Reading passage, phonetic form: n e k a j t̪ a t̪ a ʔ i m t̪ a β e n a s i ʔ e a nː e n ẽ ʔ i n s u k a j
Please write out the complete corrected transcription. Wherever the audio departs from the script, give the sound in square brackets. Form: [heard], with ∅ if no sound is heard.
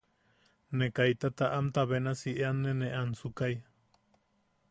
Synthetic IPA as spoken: n e k a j t̪ a t̪ a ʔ [a] m t̪ a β e n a s i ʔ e a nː e n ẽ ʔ [a] n s u k a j